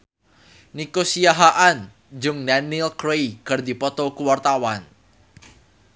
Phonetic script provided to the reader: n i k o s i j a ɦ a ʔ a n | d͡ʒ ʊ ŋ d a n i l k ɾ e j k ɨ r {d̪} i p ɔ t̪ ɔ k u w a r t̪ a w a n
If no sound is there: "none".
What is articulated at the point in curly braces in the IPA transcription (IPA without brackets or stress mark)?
d̪